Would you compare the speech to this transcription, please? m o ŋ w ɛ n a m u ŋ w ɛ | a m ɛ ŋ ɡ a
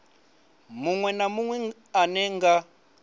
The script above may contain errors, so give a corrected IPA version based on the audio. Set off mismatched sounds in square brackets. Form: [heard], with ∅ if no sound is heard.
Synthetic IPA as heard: m [u] ŋ w ɛ n a m u ŋ w ɛ | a [n] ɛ ŋ ɡ a